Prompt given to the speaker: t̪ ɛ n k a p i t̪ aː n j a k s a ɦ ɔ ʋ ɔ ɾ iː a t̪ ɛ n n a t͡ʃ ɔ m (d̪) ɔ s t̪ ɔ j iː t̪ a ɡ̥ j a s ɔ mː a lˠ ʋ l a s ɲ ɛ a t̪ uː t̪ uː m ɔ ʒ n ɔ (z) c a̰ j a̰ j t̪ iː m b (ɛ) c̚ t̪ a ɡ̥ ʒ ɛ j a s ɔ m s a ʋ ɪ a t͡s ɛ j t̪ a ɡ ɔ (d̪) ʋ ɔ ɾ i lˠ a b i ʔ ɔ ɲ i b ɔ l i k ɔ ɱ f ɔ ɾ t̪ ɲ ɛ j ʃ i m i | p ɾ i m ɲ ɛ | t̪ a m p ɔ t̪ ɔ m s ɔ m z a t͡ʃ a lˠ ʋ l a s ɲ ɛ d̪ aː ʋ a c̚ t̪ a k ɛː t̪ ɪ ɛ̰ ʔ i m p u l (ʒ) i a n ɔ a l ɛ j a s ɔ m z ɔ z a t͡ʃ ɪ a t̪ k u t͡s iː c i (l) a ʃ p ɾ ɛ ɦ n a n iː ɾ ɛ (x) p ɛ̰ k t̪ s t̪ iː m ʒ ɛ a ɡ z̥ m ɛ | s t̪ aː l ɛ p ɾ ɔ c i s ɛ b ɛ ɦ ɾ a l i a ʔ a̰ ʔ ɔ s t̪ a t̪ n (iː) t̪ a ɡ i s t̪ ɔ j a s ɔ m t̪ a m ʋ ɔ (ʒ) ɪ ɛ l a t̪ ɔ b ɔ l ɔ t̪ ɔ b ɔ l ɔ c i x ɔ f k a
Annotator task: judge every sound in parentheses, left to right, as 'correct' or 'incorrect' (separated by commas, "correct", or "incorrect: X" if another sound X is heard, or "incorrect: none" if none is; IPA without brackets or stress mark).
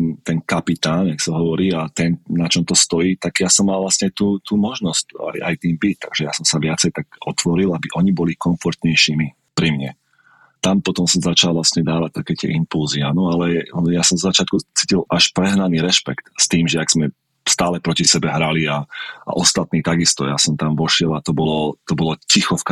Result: incorrect: t̪, incorrect: s, incorrect: i, incorrect: t̪, incorrect: z, correct, incorrect: ʃ, correct, incorrect: ʃ